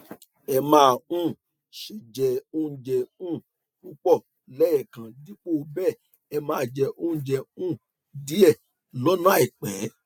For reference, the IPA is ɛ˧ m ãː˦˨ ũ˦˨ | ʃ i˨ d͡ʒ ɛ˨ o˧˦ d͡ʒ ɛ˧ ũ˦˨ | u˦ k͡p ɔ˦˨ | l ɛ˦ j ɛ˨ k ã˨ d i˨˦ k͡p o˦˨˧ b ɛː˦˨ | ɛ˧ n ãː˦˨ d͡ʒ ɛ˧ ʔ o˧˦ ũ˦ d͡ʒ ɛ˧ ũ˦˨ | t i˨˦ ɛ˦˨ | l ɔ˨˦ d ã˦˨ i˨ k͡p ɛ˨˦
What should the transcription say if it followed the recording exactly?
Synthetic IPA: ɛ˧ m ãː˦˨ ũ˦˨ | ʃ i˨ d͡ʒ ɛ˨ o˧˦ d͡ʒ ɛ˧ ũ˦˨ | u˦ k͡p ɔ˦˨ | l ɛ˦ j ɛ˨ k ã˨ d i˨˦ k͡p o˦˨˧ b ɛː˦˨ | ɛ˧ m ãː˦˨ d͡ʒ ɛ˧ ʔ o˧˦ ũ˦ d͡ʒ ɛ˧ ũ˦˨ | d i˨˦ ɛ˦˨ | l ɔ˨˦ n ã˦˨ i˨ k͡p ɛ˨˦